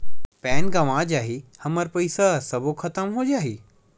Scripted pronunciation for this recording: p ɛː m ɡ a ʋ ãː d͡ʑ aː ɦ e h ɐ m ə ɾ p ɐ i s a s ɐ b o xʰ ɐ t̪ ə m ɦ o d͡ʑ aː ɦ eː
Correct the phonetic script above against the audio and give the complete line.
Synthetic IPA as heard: p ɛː n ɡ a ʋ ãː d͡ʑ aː ɦ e h ɐ m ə ɾ p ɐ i s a s ɐ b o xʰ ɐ t̪ ə m ɦ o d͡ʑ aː ɦ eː